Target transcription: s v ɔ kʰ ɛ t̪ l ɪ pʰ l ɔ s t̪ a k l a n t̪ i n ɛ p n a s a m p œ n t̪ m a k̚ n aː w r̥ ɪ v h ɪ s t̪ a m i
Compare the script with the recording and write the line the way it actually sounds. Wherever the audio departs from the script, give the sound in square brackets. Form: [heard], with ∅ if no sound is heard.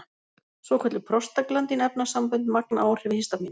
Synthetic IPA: s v ɔ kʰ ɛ t̪ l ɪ pʰ [ɾ] ɔ s t̪ a k l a n t̪ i n ɛ p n a s a m p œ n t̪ m a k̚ n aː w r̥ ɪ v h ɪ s t̪ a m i